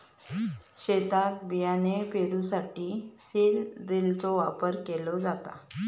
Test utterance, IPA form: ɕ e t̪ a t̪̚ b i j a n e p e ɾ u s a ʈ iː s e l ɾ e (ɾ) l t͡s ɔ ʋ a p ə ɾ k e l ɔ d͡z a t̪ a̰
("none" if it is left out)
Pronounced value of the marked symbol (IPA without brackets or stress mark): none